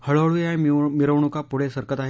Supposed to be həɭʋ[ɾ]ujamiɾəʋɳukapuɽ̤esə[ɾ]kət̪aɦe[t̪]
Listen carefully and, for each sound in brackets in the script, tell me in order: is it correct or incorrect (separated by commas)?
incorrect, correct, incorrect